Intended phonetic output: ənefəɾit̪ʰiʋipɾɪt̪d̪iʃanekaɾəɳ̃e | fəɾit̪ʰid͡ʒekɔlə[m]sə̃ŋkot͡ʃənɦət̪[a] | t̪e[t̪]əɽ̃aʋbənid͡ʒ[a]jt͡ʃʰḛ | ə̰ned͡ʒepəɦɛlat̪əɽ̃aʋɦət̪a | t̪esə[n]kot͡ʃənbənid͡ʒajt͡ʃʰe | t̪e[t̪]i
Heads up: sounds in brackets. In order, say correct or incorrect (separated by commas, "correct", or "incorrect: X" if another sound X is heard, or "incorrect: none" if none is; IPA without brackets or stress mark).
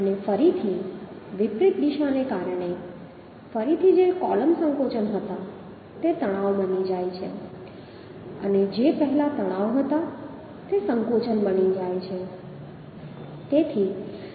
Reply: correct, correct, correct, correct, incorrect: ŋ, incorrect: t̪ʰ